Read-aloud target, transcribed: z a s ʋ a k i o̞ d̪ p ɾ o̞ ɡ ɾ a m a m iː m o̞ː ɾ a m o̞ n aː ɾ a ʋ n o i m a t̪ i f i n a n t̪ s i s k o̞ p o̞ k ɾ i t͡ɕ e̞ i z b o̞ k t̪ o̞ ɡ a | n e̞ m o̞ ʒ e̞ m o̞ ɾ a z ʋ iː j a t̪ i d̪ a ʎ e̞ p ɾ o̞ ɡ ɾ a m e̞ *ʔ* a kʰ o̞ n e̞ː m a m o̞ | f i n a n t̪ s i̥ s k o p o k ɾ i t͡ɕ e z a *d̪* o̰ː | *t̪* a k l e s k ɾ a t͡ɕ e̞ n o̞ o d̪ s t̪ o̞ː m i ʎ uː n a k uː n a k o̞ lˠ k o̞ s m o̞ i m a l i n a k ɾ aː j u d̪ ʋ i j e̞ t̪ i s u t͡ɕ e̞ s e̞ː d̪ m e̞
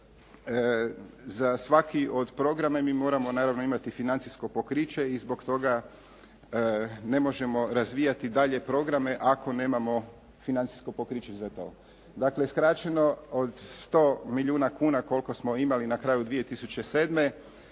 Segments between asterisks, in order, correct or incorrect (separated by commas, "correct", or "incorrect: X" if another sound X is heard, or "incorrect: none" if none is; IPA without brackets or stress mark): correct, incorrect: t̪, incorrect: d̪